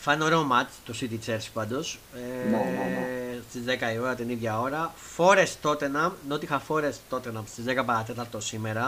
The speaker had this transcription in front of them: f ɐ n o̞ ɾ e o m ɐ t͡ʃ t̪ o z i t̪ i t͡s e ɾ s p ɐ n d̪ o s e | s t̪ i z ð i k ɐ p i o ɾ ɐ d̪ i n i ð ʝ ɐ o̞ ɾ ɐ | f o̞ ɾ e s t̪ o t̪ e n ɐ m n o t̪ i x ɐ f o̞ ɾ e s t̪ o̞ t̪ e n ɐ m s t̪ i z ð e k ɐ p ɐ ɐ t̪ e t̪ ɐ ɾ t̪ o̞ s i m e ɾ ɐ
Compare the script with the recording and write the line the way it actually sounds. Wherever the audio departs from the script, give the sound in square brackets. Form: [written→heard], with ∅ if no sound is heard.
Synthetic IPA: f ɐ n o̞ ɾ e o m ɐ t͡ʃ t̪ o [z→s] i t̪ i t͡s e ɾ s p ɐ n d̪ o s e | s t̪ i z ð [i→e] k ɐ [p→∅] i o ɾ ɐ [d̪→t̪] i n i ð ʝ ɐ o̞ ɾ ɐ | f o̞ ɾ e s t̪ o t̪ e n ɐ m n o t̪ i x ɐ f o̞ ɾ e s t̪ o̞ t̪ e n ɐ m s t̪ i z ð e k ɐ p ɐ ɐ t̪ e t̪ ɐ ɾ t̪ o̞ s i m e ɾ ɐ